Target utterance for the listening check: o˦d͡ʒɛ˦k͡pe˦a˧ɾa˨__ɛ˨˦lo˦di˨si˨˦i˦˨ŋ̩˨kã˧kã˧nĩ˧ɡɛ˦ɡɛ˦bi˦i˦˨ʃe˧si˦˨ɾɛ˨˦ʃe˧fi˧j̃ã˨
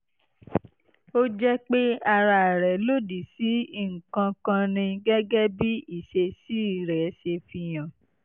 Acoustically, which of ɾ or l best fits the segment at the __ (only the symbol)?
ɾ